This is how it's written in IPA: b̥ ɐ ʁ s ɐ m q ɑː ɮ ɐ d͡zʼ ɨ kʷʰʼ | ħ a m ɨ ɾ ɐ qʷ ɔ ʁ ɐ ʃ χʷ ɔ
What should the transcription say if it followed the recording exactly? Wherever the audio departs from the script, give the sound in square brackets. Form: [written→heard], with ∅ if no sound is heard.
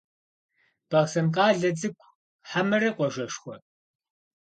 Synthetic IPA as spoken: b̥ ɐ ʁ s ɐ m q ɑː ɮ ɐ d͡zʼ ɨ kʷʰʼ | ħ a m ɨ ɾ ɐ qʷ ɔ [ʁ→ʒ] ɐ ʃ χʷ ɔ